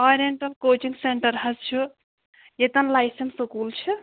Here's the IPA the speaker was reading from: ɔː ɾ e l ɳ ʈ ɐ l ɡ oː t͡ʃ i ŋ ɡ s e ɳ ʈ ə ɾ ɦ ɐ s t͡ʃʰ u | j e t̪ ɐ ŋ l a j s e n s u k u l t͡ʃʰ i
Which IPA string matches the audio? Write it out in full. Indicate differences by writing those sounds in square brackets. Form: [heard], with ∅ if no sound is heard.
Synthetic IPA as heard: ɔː ɾ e [∅] ɳ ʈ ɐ l [k] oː t͡ʃ i ŋ ɡ s e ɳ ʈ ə ɾ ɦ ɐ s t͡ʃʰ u | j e t̪ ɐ [n] l a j s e n s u k u l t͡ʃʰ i